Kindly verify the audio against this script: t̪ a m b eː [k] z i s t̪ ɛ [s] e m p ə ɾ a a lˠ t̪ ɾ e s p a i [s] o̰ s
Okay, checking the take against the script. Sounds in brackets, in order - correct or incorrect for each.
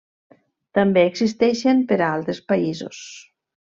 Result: incorrect: ɡ, incorrect: ʃ, incorrect: z

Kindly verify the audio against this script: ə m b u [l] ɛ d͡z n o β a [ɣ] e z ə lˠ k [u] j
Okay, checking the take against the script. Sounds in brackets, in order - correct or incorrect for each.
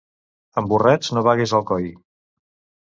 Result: incorrect: r, correct, incorrect: ɔ

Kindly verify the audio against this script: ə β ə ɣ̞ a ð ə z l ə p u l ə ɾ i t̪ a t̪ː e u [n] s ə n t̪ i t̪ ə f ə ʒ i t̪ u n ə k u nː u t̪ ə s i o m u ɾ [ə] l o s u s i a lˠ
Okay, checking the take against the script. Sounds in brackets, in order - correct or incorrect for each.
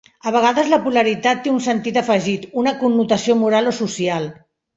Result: correct, incorrect: a

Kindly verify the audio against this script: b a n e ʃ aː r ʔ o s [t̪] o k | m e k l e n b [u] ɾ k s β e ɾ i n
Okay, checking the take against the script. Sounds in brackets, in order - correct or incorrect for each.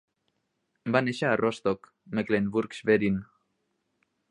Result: correct, correct

